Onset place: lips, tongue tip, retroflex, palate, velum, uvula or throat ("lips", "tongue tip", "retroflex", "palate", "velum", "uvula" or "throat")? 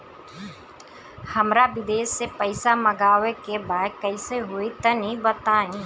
throat